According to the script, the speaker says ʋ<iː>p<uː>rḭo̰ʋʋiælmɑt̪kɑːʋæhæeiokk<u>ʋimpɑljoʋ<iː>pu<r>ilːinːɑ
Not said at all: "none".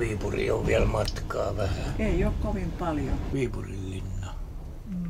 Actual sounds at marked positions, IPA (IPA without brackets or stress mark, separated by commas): iː, u, o, iː, r